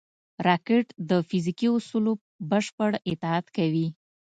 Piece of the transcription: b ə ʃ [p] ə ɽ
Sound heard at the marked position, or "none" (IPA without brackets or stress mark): p